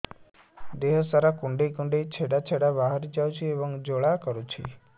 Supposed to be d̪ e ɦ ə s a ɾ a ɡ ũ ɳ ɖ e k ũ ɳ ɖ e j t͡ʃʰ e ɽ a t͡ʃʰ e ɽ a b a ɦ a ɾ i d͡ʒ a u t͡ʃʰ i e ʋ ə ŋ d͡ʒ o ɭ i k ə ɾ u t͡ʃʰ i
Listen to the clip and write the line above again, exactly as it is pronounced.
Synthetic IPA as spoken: d̪ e ɦ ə s a ɾ a k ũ ɳ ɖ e k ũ ɳ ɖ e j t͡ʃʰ e ɽ a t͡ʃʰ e ɽ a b a ɦ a ɾ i d͡ʒ a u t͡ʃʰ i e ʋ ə ŋ d͡ʒ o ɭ a k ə ɾ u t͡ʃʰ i